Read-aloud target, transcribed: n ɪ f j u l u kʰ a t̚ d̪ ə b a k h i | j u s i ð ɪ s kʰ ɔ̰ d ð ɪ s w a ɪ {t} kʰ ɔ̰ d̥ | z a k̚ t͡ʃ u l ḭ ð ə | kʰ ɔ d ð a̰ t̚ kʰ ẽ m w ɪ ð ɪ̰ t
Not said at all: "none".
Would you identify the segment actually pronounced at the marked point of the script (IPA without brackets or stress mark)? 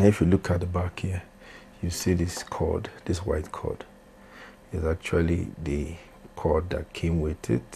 t